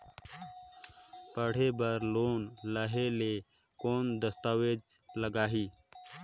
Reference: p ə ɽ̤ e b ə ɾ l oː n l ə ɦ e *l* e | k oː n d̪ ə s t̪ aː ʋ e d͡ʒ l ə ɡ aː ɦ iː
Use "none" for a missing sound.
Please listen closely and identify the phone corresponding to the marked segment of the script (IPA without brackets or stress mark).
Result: l